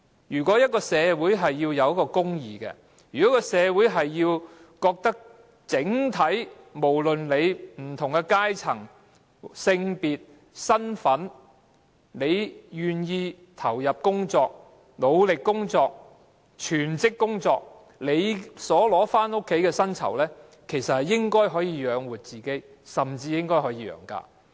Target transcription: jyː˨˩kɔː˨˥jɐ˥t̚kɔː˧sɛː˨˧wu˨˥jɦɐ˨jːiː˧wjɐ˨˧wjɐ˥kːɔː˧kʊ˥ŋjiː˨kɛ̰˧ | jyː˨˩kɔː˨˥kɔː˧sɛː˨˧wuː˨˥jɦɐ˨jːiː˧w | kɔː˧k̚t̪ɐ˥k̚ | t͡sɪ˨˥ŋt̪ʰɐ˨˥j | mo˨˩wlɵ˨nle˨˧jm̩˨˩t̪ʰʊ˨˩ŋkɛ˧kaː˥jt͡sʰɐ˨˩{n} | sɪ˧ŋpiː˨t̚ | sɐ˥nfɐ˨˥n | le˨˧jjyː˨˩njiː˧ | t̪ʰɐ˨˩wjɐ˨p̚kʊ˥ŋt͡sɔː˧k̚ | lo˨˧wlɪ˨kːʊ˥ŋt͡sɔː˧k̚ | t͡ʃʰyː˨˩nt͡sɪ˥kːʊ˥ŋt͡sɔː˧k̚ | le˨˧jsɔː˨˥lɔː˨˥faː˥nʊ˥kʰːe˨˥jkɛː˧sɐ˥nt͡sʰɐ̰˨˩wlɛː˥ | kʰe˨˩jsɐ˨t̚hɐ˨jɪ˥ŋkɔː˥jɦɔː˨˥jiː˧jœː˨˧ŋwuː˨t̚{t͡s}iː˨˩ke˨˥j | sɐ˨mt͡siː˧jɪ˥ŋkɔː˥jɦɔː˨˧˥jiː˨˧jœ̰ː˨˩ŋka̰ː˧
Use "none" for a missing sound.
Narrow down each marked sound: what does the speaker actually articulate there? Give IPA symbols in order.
ŋ, t͡s

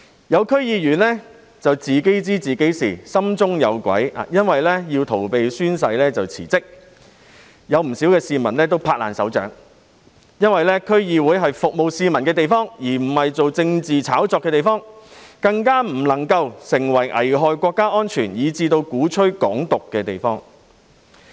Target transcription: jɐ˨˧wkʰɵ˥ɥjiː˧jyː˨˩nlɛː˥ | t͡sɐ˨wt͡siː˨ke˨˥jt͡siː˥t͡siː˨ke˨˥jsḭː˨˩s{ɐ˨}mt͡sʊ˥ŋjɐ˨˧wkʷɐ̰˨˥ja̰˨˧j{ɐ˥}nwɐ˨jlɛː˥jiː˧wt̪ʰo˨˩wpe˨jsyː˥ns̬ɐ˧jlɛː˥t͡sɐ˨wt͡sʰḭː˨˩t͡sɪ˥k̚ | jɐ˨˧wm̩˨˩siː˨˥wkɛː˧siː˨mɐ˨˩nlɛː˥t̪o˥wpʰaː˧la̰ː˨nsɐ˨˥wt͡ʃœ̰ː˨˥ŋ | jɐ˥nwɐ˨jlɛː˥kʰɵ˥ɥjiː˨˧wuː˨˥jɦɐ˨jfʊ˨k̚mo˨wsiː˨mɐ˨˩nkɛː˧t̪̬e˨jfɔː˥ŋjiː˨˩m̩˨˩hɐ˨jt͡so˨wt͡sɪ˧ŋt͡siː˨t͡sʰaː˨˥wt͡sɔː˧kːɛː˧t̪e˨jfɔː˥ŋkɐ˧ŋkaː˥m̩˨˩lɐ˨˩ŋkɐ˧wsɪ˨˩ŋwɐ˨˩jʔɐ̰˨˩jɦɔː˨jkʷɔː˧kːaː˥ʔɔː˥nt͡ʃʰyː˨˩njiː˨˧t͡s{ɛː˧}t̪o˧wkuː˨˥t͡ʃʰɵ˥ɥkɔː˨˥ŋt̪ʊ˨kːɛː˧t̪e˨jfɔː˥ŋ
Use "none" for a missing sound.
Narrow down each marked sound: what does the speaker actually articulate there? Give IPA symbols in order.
ɐ˥, ɐ˥, iː˧

